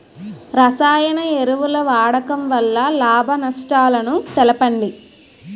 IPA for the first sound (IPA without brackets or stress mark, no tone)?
ɾ